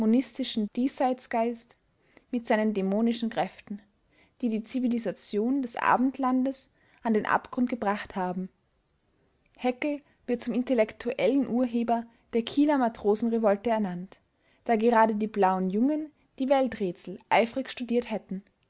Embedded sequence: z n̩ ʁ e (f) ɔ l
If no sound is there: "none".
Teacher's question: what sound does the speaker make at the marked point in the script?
v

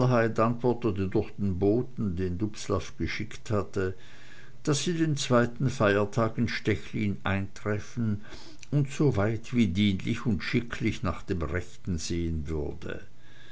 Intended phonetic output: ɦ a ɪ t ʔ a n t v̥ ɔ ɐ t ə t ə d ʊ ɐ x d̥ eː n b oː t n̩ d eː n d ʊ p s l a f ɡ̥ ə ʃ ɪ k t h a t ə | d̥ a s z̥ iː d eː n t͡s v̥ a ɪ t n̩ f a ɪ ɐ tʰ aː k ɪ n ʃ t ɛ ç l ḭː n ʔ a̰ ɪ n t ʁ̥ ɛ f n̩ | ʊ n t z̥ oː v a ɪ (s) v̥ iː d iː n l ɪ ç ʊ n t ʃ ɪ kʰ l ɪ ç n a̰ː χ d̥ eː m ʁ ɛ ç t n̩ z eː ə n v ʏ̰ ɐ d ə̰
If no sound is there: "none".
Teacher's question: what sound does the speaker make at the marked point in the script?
t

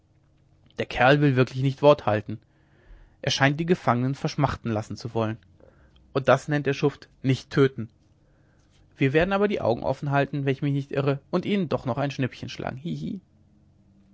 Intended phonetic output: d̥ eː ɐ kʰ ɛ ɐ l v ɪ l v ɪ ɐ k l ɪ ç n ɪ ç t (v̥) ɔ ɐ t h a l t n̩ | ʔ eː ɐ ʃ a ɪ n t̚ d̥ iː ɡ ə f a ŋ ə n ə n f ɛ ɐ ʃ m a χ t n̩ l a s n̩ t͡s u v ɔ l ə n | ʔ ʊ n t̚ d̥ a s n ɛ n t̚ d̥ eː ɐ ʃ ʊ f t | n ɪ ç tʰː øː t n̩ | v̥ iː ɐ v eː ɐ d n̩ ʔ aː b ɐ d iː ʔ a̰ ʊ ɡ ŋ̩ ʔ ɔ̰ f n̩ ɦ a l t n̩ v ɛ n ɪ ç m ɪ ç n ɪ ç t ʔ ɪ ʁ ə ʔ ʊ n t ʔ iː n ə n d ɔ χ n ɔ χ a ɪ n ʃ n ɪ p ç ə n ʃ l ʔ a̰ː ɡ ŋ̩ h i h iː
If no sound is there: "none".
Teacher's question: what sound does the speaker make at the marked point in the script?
v̥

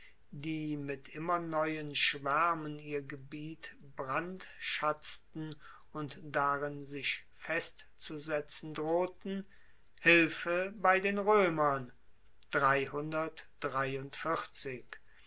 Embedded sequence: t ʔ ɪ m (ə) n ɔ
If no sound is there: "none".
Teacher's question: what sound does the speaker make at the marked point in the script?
ɐ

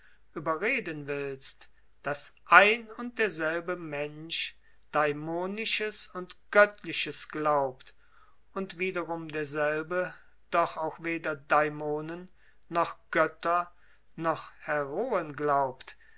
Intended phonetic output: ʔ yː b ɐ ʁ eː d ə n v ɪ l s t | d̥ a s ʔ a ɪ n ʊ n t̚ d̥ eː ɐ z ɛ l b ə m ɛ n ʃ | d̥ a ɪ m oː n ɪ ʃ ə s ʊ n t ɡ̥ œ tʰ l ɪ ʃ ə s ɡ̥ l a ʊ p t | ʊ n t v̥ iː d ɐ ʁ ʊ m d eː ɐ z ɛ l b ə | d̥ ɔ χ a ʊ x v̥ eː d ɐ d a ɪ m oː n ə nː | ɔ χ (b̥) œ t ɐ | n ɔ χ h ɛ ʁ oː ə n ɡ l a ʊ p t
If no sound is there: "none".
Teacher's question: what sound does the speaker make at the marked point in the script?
ɡ̥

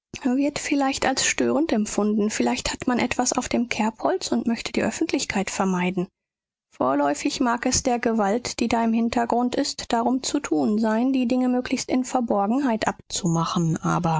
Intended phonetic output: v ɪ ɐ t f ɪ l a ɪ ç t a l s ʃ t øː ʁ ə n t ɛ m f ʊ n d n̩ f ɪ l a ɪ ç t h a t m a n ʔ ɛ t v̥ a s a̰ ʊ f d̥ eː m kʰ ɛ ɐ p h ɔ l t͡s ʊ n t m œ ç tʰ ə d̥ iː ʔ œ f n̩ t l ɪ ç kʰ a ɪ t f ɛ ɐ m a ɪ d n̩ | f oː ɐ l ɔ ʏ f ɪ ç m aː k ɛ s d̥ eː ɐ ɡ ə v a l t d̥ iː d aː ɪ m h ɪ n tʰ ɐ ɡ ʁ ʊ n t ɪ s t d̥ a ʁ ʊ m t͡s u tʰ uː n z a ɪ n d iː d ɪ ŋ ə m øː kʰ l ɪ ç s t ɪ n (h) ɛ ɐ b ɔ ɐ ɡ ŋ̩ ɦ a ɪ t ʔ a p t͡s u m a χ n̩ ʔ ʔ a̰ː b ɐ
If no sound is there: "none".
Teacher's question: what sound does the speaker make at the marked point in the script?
f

